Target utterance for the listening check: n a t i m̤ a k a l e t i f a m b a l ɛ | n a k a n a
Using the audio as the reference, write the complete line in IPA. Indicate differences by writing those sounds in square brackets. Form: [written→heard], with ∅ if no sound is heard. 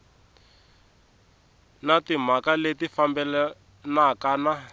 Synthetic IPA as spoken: n a t i m̤ a k a l e t i f a m b [a→ɛ] l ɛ | n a k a n a